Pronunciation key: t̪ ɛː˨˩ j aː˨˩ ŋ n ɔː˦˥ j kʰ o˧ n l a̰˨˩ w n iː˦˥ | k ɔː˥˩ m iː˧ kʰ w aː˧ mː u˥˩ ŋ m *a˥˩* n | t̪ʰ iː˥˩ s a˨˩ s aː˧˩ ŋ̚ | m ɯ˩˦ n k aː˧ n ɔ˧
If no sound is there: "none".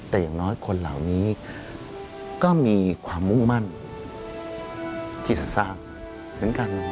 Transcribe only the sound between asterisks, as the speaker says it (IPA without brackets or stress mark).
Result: a˥˩